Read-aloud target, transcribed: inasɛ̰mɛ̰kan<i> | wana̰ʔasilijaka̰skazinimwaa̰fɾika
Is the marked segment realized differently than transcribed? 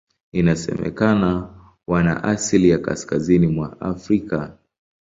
yes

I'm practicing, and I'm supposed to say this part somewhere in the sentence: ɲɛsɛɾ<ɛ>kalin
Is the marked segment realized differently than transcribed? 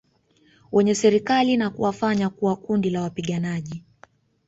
yes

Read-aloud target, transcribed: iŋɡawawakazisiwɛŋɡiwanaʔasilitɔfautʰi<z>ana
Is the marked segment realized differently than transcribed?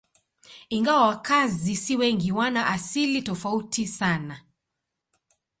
yes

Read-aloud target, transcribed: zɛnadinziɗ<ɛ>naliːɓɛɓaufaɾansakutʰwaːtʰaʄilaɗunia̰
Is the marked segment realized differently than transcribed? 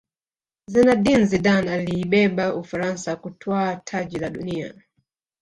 yes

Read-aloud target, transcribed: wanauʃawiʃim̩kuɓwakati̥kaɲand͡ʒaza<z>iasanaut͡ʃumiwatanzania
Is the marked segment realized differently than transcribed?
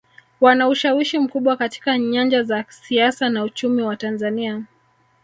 yes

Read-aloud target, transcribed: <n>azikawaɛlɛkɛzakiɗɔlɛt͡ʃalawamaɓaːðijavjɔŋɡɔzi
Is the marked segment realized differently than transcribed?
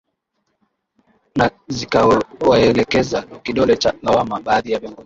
no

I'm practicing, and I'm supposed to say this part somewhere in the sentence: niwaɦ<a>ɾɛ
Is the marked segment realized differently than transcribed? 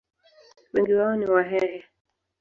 yes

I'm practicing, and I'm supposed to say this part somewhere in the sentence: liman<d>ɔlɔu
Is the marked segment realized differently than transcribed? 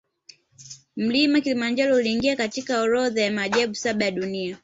yes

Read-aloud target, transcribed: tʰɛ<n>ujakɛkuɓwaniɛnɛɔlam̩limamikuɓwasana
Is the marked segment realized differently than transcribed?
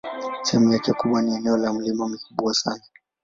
yes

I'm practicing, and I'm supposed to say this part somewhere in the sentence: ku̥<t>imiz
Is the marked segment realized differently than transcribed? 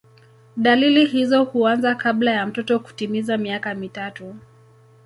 no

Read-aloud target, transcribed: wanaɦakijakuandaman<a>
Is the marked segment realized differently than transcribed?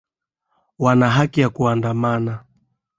no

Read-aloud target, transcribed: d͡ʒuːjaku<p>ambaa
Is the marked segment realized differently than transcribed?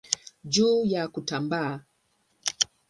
yes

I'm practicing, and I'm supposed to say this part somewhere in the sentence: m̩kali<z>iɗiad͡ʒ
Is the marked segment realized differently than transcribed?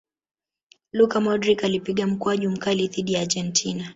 yes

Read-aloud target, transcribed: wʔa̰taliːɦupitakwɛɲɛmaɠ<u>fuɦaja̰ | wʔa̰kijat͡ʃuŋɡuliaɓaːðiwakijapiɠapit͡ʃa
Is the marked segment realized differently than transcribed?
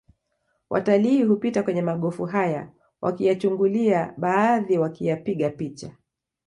yes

